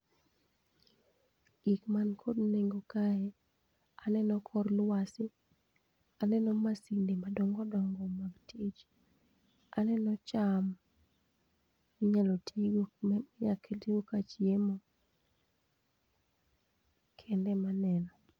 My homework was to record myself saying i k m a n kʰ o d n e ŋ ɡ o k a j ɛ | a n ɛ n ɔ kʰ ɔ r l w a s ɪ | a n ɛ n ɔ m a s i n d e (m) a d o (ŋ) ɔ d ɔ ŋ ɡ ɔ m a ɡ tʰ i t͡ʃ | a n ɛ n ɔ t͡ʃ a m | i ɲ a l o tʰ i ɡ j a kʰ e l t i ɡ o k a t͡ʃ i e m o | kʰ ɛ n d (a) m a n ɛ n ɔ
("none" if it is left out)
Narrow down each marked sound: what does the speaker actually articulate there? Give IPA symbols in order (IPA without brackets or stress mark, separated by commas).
m, ŋ, ɛ